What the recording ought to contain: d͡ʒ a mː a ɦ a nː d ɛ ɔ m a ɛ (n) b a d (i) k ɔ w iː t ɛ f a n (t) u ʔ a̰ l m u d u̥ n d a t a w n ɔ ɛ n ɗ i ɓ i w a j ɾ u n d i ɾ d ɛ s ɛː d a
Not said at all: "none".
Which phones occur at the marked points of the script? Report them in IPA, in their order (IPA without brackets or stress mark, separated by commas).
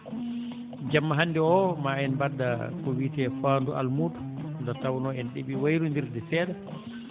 n, a, d